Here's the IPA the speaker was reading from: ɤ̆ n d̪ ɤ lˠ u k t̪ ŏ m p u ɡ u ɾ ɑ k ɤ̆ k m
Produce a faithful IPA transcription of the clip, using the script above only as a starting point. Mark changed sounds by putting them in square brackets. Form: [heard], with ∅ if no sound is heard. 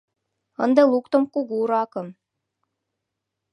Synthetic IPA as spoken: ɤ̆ n d̪ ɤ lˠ u k t̪ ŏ m [k] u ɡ u ɾ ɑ k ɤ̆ [∅] m